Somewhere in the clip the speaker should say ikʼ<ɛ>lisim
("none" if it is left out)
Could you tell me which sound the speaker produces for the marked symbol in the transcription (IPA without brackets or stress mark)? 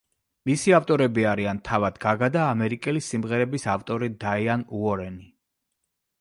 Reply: ɛ